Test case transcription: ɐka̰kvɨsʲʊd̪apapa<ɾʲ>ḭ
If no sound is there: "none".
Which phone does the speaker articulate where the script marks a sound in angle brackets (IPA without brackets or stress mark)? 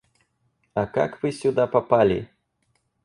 lʲ